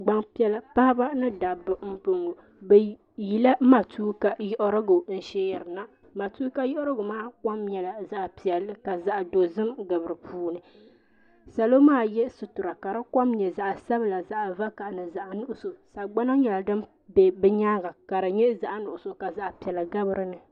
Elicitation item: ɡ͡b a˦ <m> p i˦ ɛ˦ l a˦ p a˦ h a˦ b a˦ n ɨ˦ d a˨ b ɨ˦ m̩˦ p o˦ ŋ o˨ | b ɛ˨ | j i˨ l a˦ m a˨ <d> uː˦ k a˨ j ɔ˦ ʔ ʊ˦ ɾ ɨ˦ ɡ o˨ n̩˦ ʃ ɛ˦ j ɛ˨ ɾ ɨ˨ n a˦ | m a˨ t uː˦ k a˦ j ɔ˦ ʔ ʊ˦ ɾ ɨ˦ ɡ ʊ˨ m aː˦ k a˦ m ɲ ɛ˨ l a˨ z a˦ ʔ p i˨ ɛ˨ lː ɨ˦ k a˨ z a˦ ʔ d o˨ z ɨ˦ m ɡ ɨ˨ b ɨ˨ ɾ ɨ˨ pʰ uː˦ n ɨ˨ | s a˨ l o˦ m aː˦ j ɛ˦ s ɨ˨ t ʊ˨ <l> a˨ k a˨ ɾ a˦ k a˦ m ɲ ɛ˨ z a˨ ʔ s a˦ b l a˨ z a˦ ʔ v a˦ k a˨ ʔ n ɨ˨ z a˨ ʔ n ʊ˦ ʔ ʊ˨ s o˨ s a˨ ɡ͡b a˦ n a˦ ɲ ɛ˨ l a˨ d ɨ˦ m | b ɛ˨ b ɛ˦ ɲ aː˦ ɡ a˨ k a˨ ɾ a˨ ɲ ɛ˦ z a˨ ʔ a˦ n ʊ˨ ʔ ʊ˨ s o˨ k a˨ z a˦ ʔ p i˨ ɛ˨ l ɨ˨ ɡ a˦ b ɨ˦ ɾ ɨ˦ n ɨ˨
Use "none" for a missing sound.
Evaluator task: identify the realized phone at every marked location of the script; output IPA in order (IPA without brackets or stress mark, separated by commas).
ŋ, t, ɾ